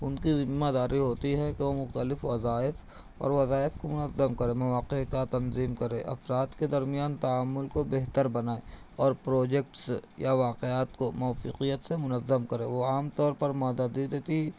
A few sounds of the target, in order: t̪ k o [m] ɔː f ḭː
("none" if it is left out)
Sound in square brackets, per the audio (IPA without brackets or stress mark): m